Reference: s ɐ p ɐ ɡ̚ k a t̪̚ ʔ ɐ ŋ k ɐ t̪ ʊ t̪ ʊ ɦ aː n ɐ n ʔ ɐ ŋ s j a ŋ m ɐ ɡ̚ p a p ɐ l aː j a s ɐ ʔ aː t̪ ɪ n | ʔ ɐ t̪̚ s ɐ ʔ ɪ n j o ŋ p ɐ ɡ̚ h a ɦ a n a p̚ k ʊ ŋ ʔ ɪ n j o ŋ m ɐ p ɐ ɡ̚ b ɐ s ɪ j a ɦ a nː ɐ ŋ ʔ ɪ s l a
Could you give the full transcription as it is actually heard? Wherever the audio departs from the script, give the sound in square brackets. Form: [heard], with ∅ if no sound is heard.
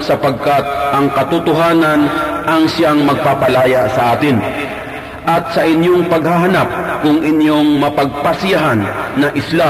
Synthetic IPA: s ɐ p ɐ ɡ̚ k a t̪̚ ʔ ɐ ŋ k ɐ t̪ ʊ t̪ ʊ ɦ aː n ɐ n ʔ ɐ ŋ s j a ŋ m ɐ ɡ̚ p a p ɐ l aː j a s ɐ ʔ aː t̪ ɪ n | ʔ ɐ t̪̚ s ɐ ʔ ɪ n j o ŋ p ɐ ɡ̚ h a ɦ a n a p̚ k ʊ ŋ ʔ ɪ n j o ŋ m ɐ p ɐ ɡ̚ [p] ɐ s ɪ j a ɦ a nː ɐ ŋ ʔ ɪ s l a